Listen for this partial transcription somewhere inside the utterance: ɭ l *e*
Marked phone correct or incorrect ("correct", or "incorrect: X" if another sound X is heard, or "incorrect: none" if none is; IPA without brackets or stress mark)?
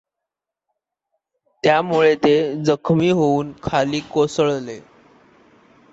correct